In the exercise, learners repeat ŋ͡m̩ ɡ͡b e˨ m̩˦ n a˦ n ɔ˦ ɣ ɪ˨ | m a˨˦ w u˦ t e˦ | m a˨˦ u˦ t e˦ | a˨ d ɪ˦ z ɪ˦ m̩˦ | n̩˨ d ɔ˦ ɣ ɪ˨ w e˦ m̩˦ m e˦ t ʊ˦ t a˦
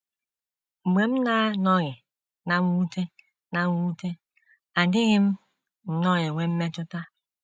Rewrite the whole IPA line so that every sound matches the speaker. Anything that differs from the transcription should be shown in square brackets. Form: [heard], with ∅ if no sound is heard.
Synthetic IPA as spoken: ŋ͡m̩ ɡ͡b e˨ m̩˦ n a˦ n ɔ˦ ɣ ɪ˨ | [n] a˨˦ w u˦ t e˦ | [n] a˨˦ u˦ t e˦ | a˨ d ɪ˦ [ɣ] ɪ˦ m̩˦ | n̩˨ [n] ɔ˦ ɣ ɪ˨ w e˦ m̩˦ m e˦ t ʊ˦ t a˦